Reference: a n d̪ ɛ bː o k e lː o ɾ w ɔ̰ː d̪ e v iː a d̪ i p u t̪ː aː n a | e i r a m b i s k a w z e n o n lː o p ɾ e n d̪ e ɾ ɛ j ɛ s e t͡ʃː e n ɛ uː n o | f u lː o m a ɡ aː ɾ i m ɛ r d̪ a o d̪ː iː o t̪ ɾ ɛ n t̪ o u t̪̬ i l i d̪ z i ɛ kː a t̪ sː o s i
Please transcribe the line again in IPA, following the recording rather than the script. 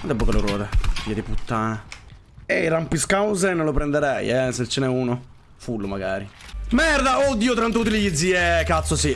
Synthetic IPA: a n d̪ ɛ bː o k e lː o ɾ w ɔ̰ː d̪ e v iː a d̪ i p u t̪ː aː n a | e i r a m p i s k a w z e n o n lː o p ɾ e n d̪ e ɾ ɛ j ɛ s e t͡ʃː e n ɛ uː n o | f u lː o m a ɡ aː ɾ i m ɛ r d̪ a o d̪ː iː o t̪ ɾ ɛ n t̪ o u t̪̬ i l i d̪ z i ɛ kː a t̪ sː o s i